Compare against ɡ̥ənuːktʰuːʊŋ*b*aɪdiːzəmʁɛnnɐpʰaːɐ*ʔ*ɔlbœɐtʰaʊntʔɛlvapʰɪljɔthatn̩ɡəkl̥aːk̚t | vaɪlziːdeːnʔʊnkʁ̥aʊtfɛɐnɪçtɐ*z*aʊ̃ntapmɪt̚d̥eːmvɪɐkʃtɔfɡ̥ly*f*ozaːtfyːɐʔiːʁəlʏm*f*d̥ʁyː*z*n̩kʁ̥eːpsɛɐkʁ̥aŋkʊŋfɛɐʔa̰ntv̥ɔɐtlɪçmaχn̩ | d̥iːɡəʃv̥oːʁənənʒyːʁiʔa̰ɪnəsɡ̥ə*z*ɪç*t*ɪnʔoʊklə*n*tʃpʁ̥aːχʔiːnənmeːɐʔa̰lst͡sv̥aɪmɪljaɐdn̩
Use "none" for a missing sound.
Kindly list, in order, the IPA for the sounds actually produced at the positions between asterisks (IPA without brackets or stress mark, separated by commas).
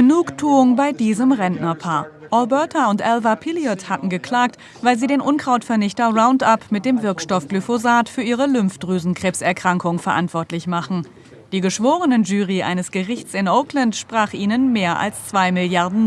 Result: b, ʔ, ʁ, f, f, z, ʁ, t͡s, n